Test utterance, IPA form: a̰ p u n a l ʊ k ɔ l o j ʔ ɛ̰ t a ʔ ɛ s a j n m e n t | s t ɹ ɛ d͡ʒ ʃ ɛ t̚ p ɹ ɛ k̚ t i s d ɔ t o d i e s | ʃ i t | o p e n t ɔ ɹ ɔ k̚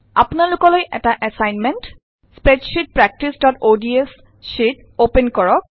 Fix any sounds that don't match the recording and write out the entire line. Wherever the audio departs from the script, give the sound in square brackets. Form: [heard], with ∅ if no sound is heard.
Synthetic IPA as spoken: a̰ p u n a l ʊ k ɔ l o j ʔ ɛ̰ t a ʔ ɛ s a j n m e n t | s [p] ɹ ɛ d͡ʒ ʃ [i] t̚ p ɹ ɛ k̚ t i s d ɔ t o d i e s | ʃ i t | o p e n [k] ɔ ɹ ɔ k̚